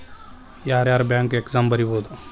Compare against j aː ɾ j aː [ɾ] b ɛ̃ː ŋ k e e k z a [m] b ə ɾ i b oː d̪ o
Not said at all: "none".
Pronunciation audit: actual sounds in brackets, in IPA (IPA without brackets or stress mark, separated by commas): ɾ, m